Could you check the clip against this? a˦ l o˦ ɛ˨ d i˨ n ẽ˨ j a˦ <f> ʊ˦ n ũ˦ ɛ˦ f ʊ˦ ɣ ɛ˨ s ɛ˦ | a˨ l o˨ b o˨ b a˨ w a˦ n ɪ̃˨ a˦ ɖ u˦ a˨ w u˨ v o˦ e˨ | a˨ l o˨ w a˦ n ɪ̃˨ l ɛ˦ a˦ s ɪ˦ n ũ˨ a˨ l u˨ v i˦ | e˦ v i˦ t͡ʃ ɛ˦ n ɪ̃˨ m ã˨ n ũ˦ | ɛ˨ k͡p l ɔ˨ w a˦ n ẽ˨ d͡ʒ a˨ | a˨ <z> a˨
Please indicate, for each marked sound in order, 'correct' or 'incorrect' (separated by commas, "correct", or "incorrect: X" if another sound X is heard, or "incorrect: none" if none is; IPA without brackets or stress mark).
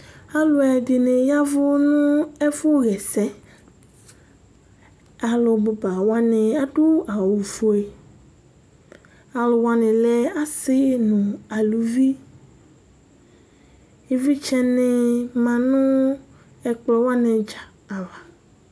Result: incorrect: v, incorrect: v